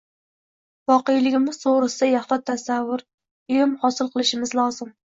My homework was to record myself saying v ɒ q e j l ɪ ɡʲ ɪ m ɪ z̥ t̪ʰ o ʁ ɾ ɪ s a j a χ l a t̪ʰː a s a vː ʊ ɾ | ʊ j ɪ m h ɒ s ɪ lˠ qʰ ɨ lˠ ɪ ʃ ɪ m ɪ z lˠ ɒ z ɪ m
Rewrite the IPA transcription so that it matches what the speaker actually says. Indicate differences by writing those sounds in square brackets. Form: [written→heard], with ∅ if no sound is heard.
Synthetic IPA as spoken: v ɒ q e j l ɪ ɡʲ ɪ m ɪ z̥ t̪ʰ o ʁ ɾ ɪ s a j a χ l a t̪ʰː a s a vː ʊ ɾ | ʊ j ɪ m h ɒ s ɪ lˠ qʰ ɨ lˠ ɪ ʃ ɪ m ɪ z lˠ ɒ z ɪ m